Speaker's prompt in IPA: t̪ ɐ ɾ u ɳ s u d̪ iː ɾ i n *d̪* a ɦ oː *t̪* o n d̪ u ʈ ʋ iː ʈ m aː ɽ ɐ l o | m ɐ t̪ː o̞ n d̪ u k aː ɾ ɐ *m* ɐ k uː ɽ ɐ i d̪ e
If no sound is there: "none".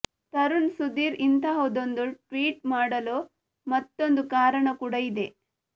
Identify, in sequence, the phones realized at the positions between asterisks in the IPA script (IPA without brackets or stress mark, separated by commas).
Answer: t̪, d̪, ɳ